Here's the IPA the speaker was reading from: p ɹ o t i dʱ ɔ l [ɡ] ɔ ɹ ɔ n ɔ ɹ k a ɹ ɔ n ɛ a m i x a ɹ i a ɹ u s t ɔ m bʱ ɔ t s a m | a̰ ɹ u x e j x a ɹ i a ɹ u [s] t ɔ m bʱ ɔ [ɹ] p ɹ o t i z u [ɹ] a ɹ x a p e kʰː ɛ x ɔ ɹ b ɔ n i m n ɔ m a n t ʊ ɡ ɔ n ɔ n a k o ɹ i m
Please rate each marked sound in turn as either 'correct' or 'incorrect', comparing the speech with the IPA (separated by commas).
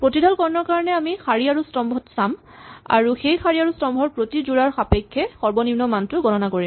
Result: incorrect, correct, correct, correct